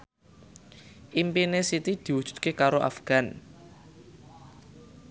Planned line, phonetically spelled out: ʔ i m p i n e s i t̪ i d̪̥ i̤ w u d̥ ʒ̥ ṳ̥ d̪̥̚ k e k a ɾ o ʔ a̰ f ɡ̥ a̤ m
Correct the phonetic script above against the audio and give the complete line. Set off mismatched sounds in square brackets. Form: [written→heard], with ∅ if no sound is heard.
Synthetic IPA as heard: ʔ i m p i n e s i t̪ i d̪̥ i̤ w u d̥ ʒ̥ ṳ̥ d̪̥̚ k e k a ɾ o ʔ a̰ f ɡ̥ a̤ [m→n]

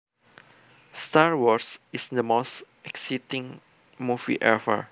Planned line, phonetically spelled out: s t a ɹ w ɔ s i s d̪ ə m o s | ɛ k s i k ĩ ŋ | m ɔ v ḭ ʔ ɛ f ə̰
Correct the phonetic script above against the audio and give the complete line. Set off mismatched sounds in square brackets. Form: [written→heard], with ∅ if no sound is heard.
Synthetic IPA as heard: s t a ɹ w ɔ s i s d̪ ə m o s | ɛ k s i [k→t] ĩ ŋ | m [ɔ→u] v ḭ ʔ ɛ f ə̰

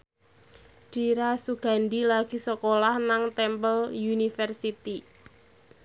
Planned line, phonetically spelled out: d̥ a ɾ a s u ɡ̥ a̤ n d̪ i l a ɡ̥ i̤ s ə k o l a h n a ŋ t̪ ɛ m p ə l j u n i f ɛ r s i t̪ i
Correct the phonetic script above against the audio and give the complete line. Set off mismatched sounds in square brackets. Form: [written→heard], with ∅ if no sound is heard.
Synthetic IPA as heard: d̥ [a→i] ɾ a s u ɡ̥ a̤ n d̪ i l a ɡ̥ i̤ s ə k o l a h n a ŋ t̪ ɛ m p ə l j u n i f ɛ r s i t̪ i

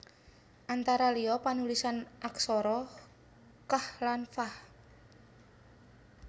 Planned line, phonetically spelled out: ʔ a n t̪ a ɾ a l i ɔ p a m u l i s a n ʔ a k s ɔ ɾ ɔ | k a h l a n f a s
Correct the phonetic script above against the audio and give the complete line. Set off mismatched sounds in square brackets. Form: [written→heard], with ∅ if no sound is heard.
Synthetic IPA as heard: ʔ a n t̪ a ɾ a l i ɔ p a [m→n] u l i s a n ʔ a k s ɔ ɾ ɔ | k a h l a n f a [s→h]

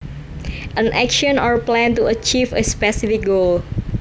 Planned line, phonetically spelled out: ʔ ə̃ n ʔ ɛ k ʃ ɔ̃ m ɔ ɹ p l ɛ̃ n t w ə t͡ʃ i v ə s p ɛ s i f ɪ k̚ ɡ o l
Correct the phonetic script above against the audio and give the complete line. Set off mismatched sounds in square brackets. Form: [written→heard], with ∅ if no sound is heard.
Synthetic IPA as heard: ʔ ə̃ n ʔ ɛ k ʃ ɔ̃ [m→n] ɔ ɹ p l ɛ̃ n t [w→u] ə t͡ʃ i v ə s p ɛ s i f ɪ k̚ ɡ o l

